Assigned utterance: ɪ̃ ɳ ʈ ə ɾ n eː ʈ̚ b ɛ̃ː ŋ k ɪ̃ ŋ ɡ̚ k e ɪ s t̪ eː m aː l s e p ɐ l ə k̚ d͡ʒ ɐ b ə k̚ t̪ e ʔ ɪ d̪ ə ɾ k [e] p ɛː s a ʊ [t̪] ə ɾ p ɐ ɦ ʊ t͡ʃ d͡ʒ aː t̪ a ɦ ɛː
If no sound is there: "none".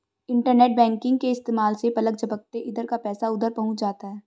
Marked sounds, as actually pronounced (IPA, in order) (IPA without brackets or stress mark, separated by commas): a, d̪